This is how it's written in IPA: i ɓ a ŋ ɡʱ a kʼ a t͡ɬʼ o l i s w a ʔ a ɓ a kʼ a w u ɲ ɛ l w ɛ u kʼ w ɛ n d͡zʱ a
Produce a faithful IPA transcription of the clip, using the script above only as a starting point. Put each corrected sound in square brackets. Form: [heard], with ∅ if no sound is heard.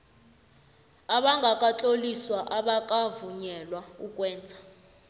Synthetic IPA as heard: [a] ɓ a ŋ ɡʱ a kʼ a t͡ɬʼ o l i s w a ʔ a ɓ a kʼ a [v] u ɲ ɛ l w [a] u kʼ w [ɛː] n d͡zʱ a